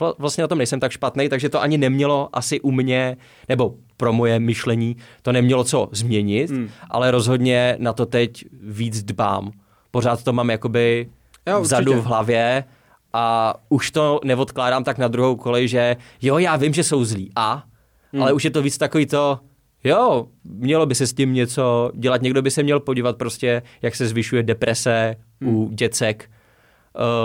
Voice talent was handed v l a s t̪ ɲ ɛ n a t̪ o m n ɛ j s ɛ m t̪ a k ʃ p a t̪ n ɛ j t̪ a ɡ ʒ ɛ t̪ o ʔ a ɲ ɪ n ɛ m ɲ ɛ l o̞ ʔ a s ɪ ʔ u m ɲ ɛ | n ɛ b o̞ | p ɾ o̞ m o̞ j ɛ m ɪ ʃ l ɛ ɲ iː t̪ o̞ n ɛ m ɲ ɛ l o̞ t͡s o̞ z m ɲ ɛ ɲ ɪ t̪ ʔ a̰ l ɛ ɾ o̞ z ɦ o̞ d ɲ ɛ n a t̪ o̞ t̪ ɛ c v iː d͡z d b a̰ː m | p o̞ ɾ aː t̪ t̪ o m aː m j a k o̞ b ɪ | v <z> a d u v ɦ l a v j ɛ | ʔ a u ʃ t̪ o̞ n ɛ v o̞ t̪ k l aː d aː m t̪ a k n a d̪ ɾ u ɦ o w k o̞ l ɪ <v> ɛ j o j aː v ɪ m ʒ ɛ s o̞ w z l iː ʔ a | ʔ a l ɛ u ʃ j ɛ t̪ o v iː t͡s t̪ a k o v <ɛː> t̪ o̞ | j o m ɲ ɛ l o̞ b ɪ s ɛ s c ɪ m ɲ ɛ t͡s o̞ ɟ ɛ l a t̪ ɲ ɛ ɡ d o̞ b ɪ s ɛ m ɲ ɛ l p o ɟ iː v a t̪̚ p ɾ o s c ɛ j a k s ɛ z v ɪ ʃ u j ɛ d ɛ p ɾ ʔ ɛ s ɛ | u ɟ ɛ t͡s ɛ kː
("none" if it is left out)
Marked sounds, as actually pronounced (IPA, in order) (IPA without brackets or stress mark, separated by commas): z, ʒ, iː